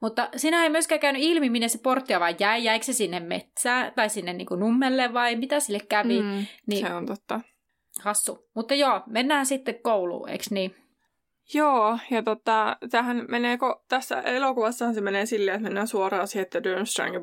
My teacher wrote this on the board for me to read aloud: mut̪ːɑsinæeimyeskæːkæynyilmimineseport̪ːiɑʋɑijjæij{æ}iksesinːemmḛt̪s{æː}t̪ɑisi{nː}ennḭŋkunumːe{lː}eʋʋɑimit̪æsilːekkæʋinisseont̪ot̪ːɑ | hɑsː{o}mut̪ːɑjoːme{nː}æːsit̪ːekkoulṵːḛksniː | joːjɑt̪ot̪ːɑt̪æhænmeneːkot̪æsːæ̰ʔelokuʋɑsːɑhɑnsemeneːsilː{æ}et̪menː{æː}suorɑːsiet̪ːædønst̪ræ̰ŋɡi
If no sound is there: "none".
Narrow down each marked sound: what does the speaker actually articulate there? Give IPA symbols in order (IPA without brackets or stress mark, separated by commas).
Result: æ, æː, nː, lː, u, nː, e, æː